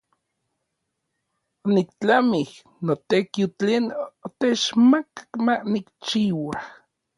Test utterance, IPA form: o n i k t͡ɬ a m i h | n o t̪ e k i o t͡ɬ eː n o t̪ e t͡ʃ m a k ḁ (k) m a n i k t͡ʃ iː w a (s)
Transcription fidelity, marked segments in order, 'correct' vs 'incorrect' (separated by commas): correct, incorrect